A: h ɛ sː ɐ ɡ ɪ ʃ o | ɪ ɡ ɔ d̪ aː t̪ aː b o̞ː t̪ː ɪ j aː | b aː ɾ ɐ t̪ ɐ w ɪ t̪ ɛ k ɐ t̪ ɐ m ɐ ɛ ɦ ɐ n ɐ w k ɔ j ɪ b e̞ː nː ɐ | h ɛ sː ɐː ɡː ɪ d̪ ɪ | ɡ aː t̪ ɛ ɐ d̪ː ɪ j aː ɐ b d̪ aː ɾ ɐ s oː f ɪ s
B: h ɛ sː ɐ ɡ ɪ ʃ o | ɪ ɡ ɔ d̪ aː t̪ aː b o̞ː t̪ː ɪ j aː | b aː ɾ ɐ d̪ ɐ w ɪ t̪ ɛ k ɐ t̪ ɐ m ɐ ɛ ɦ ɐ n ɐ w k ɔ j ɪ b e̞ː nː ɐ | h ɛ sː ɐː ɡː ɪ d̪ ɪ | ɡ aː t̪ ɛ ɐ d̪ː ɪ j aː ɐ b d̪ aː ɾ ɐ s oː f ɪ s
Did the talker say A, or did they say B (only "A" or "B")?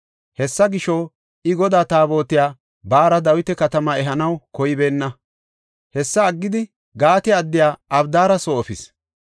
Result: B